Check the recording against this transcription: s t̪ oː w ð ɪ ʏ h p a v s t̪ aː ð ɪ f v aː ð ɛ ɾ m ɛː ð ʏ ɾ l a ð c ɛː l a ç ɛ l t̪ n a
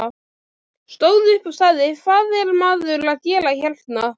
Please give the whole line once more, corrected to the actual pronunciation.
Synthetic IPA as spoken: s t̪ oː w ð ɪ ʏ h p a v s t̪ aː ð ɪ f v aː ð ɛ ɾ m aː ð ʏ ɾ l a ð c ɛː l a ç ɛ l t̪ n a